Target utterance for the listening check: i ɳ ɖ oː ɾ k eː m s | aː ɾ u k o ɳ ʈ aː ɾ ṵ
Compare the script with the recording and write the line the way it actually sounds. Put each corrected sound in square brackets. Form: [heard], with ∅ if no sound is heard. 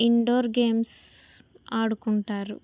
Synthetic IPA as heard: i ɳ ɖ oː ɾ [ɡ] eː m s | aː [ɽ] u k [u] ɳ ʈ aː ɾ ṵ